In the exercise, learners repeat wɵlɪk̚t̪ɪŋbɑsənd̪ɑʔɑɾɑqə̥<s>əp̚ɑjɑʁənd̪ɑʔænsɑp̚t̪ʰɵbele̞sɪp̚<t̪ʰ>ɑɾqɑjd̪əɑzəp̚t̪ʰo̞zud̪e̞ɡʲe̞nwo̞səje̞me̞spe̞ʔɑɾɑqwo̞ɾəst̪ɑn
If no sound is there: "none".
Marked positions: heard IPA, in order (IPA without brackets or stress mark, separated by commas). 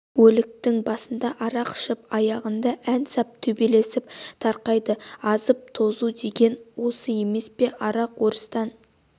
ʃ, t̪ʰ